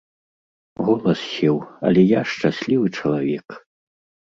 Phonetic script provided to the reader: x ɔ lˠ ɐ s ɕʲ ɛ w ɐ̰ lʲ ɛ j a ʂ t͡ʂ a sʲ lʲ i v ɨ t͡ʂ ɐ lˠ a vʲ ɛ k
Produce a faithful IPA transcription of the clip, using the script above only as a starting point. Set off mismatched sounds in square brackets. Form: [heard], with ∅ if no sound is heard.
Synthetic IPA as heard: [ɣ] ɔ lˠ ɐ s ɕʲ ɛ w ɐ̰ lʲ ɛ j a ʂ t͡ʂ a sʲ lʲ i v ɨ t͡ʂ ɐ lˠ a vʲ ɛ k